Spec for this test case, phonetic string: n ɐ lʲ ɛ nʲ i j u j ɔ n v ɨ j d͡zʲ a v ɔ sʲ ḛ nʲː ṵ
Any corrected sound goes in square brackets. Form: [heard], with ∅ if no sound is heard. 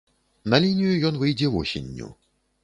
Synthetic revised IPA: n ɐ lʲ [i] nʲ i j u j ɔ n v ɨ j d͡zʲ [ɛ] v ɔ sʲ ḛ nʲː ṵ